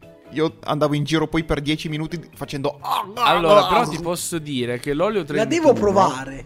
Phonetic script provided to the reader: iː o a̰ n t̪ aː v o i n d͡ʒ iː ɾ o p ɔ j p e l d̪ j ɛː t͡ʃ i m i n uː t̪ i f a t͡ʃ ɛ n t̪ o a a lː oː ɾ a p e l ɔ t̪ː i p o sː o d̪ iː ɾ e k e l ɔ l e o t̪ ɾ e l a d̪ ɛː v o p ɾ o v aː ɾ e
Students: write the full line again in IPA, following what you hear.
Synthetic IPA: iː o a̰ n d̪ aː v o i n d͡ʒ iː ɾ o p ɔ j p e r d̪ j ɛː t͡ʃ i m i n uː t̪ i f a t͡ʃ ɛ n d̪ o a a lː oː ɾ a p e ɾ ɔ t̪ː i p ɔ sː o d̪ iː ɾ e k e l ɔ l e o t̪ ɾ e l a d̪ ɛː v o p ɾ o v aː ɾ e